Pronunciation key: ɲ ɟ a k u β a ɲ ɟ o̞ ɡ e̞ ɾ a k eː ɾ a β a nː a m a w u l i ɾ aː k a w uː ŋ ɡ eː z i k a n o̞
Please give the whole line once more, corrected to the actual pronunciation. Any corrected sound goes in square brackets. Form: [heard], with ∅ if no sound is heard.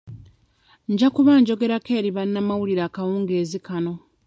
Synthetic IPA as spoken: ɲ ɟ a k u β a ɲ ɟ o̞ ɡ e̞ ɾ a k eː ɾ [i] β a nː a m a w u l i ɾ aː k a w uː ŋ ɡ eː z i k a n o̞